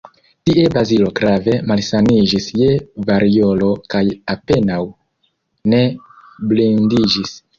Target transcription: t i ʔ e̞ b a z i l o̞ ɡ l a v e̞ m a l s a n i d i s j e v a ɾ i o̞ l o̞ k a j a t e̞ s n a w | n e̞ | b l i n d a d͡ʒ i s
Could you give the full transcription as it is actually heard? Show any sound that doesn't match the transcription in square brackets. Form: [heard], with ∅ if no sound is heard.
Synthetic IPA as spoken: t i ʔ e̞ b a z i l o̞ ɡ [ɾ] a v e̞ m a l s a n i [d͡ʒ] i s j e v a ɾ i o̞ l o̞ k a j a [p] e̞ [∅] n a w | n e̞ | b l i n d [i] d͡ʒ i s